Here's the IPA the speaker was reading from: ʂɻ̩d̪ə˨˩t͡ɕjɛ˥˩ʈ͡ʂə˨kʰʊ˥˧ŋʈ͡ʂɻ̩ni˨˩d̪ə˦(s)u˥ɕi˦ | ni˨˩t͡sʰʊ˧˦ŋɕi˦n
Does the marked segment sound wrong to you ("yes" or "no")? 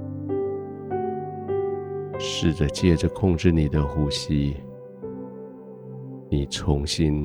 yes